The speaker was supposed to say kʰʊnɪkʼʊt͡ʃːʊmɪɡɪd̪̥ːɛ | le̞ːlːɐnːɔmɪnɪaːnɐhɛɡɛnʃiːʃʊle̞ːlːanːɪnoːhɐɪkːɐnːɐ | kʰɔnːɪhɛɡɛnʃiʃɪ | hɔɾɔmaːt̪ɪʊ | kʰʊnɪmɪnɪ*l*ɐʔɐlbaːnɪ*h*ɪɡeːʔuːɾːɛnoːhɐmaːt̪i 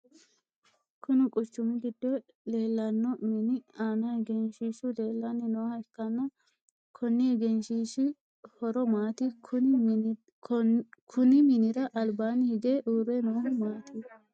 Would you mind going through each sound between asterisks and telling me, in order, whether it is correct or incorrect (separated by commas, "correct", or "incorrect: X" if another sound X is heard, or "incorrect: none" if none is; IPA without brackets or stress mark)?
incorrect: ɾ, correct